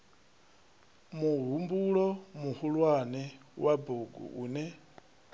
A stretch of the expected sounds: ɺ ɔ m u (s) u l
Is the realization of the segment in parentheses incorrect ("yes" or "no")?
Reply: yes